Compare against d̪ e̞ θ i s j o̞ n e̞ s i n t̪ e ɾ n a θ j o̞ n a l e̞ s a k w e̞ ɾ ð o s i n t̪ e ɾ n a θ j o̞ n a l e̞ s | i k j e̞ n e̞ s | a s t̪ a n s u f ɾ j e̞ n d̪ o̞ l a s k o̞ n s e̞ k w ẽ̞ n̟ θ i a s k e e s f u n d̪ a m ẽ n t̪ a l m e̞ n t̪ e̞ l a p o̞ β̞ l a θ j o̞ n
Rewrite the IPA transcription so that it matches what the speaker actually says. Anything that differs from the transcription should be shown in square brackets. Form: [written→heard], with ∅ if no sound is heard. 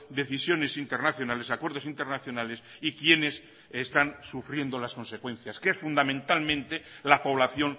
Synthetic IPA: d̪ e̞ θ i s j o̞ n e̞ s i n t̪ e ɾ n a θ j o̞ n a l e̞ s a k w e̞ ɾ ð o s i n t̪ e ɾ n a θ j o̞ n a l e̞ s | i k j e̞ n e̞ s | [a→e] s t̪ a n s u f ɾ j e̞ n d̪ o̞ l a s k o̞ n s e̞ k w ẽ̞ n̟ θ [i→j] a s k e e s f u n d̪ a m ẽ n t̪ a l m [e̞→ẽ̞] n t̪ e̞ l a p o̞ β̞ l a θ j o̞ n

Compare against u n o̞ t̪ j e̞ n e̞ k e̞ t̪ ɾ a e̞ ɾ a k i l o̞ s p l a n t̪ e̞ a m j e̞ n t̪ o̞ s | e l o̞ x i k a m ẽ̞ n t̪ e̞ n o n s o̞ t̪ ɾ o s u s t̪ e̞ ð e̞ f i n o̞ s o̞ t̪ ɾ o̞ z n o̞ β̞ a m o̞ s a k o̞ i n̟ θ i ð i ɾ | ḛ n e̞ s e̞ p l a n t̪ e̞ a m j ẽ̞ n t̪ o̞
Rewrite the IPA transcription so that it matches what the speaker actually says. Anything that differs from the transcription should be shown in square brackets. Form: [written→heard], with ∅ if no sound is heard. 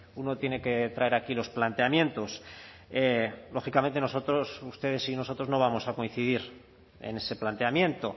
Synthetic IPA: u n o̞ t̪ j e̞ n e̞ k e̞ t̪ ɾ a e̞ ɾ a k i l o̞ s p l a n t̪ e̞ a m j e̞ n t̪ o̞ s | e l o̞ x i k a m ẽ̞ n t̪ e̞ n o [n→∅] s o̞ t̪ ɾ o s u s t̪ e̞ ð e̞ [f→s] i n o̞ s o̞ t̪ ɾ o̞ z n o̞ β̞ a m o̞ s a k o̞ i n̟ θ i ð i ɾ | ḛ n e̞ s e̞ p l a n t̪ e̞ a m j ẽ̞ n t̪ o̞

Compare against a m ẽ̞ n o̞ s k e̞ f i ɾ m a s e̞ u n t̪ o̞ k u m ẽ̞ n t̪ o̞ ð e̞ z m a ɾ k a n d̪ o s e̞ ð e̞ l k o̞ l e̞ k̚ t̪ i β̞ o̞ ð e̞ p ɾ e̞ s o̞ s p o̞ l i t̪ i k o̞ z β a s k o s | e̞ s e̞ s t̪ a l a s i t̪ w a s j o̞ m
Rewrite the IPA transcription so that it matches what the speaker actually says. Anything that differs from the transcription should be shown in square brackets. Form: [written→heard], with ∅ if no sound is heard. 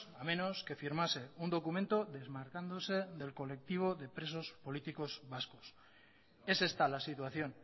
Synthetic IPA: a m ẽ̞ n o̞ s k e̞ f i ɾ m a s e̞ u n [t̪→d̪] o̞ k u m ẽ̞ n t̪ o̞ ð e̞ z m a ɾ k a n d̪ o s e̞ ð e̞ l k o̞ l e̞ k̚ t̪ i β̞ o̞ ð e̞ p ɾ e̞ s o̞ s p o̞ l i t̪ i k o̞ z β a s k o s | e̞ s e̞ s t̪ a l a s i t̪ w a [s→θ] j o̞ [m→n]

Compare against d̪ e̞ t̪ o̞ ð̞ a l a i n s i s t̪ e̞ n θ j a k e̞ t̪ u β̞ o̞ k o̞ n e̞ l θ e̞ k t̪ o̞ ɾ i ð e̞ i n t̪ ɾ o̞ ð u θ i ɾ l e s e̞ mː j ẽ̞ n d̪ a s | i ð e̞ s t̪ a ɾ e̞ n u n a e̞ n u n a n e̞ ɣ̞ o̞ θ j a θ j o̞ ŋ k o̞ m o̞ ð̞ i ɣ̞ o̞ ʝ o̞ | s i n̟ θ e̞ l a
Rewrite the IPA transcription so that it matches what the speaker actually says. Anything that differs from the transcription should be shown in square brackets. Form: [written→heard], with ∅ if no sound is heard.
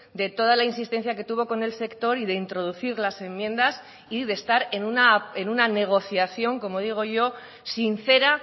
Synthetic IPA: d̪ e̞ t̪ o̞ ð̞ a l a i n s i s t̪ e̞ n θ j a k e̞ t̪ u β̞ o̞ k o̞ n e̞ l [θ→s] e̞ k t̪ o̞ ɾ i ð e̞ i n t̪ ɾ o̞ ð u θ i ɾ l [e→a] s e̞ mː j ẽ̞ n d̪ a s | i ð e̞ s t̪ a ɾ e̞ n u n a e̞ n u n a n e̞ ɣ̞ o̞ θ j a θ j o̞ ŋ k o̞ m o̞ ð̞ i ɣ̞ o̞ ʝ o̞ | s i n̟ θ e̞ [l→ɾ] a

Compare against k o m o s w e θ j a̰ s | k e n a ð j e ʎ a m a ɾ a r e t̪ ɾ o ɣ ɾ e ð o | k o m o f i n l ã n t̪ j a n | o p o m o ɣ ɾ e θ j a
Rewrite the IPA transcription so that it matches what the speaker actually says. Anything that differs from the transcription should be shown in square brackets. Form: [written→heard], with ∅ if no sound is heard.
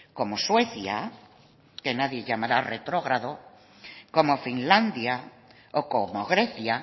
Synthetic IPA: k o m o s w e θ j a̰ [s→∅] | k e n a ð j e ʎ a m a ɾ a r e t̪ ɾ o ɣ ɾ [e→a] ð o | k o m o f i n l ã n [t̪→d̪] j a [n→∅] | o [p→k] o m o ɣ ɾ e θ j a

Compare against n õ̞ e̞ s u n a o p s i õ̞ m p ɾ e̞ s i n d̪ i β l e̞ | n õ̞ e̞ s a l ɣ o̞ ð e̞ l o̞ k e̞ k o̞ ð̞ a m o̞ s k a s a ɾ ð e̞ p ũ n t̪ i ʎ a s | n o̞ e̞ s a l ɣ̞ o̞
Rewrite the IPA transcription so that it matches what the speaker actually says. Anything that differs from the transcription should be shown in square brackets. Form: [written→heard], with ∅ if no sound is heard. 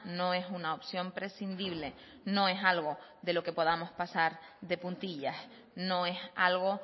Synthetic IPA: n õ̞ e̞ s u n a o p s [i→j] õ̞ m p ɾ e̞ s i n d̪ i β l e̞ | n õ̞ e̞ s a l ɣ o̞ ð e̞ l o̞ k e̞ [k→p] o̞ ð̞ a m o̞ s [k→p] a s a ɾ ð e̞ p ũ n t̪ i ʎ a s | n o̞ e̞ s a l ɣ̞ o̞

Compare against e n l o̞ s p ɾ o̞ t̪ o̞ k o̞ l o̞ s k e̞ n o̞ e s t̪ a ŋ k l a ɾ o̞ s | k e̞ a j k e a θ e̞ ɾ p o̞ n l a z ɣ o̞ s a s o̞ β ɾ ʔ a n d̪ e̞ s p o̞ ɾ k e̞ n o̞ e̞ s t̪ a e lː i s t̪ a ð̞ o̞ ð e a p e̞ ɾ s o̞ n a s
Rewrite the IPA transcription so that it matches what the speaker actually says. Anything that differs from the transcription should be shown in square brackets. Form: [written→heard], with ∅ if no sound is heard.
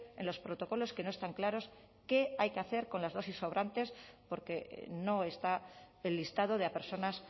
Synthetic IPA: e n l o̞ s p ɾ o̞ t̪ o̞ k o̞ l o̞ s k e̞ n o̞ e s t̪ a ŋ k l a ɾ o̞ s | k e̞ a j k e a θ e̞ ɾ [p→k] o̞ n l a z [ɣ→ð] o̞ s [a→i] s o̞ β ɾ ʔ a n [d̪→t̪] e̞ s p o̞ ɾ k e̞ n o̞ e̞ s t̪ a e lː i s t̪ a ð̞ o̞ ð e a p e̞ ɾ s o̞ n a s

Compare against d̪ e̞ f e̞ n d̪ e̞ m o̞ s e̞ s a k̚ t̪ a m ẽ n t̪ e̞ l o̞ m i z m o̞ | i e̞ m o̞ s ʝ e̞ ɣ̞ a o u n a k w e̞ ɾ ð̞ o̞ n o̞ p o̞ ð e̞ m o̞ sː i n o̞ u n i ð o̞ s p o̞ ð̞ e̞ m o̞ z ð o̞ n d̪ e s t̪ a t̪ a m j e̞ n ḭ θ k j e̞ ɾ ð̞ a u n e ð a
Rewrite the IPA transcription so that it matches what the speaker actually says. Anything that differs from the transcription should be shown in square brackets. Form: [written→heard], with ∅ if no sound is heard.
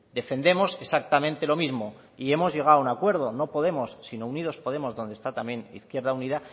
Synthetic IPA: d̪ e̞ f e̞ n d̪ e̞ m o̞ s e̞ s a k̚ t̪ a m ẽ n t̪ e̞ l o̞ m i z m o̞ | i e̞ m o̞ [s→z] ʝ e̞ ɣ̞ a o u n a k w e̞ ɾ ð̞ o̞ n o̞ p o̞ ð e̞ m o̞ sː i n o̞ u n i ð o̞ s p o̞ ð̞ e̞ m o̞ z ð o̞ n d̪ e s t̪ a t̪ a m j e̞ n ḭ θ k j e̞ ɾ ð̞ a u n [e→i] ð a

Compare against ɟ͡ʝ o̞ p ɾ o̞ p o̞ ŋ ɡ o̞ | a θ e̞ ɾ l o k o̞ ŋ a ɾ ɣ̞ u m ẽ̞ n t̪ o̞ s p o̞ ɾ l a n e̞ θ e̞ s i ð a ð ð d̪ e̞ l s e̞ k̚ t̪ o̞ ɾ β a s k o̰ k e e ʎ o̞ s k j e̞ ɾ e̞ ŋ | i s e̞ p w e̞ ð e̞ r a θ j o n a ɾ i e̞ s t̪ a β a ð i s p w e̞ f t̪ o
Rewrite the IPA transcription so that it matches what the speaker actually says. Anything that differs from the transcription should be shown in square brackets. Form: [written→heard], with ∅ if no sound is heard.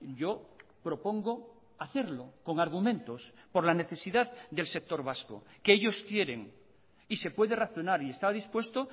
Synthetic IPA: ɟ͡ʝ o̞ p ɾ o̞ p o̞ ŋ ɡ o̞ | a θ e̞ ɾ l o k o̞ ŋ a ɾ ɣ̞ u m ẽ̞ n t̪ o̞ s p o̞ ɾ l a n e̞ θ e̞ s i ð a ð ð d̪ e̞ l s e̞ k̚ t̪ o̞ ɾ β a s k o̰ k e e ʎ o̞ s k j e̞ ɾ e̞ ŋ | i s e̞ p w e̞ ð e̞ r a θ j o n a ɾ i e̞ s t̪ a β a ð i s p w e̞ [f→s] t̪ o

